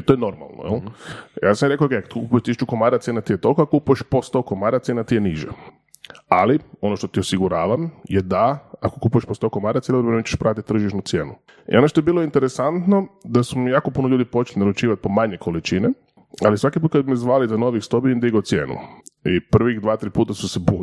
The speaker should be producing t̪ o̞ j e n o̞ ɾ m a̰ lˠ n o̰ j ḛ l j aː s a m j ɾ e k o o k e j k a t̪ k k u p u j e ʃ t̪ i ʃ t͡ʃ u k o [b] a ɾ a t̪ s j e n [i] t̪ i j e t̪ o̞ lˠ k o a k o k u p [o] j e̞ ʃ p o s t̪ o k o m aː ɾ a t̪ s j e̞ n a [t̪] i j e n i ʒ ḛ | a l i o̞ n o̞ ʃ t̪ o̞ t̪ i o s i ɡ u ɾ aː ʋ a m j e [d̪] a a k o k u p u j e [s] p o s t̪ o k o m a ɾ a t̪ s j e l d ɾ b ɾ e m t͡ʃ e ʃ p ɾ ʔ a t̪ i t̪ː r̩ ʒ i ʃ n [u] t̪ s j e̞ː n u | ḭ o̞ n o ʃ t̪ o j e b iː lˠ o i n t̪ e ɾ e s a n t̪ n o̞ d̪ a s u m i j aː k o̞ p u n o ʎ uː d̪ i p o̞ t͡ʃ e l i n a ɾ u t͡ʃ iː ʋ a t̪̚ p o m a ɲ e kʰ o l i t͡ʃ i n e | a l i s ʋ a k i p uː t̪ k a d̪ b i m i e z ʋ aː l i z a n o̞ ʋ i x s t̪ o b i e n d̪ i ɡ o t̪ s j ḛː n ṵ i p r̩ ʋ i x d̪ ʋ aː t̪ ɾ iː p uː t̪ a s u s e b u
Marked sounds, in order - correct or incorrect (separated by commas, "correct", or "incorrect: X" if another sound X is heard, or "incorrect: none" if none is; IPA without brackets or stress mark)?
incorrect: m, incorrect: a, incorrect: u, correct, correct, incorrect: ʃ, correct